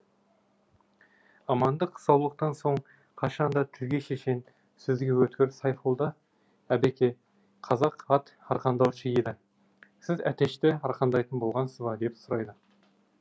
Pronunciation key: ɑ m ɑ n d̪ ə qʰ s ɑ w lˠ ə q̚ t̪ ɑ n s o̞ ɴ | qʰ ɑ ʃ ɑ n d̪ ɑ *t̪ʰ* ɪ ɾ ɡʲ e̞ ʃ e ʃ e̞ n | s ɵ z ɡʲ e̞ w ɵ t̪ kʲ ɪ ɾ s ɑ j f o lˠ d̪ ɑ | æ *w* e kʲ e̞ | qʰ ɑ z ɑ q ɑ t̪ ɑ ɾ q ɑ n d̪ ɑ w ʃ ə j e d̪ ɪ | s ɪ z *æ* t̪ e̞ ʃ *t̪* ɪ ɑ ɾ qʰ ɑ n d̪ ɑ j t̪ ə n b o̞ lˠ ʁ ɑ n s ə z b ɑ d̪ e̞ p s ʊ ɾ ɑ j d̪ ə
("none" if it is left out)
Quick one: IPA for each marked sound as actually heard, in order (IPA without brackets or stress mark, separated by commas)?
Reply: t̪ʰ, b, æ, t̪